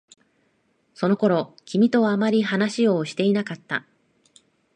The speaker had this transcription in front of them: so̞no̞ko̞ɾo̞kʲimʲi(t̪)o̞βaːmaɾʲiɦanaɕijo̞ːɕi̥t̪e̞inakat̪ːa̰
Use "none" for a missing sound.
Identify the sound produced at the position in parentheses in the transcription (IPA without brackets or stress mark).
t̪